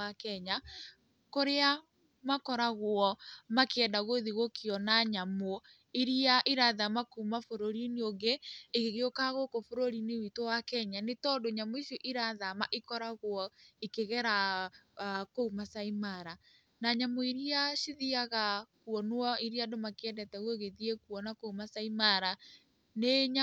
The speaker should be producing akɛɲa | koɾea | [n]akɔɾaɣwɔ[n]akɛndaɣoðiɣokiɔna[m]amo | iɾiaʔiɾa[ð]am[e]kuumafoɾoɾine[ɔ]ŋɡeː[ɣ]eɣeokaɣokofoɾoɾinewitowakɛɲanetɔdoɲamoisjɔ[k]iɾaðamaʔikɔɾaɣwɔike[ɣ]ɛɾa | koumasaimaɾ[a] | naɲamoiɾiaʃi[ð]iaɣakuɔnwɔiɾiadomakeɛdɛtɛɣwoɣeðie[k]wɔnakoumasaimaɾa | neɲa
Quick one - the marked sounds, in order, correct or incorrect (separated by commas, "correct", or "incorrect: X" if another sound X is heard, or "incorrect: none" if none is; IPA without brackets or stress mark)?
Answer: incorrect: m, incorrect: m, incorrect: ɲ, correct, incorrect: a, incorrect: o, correct, incorrect: ʔ, correct, correct, correct, correct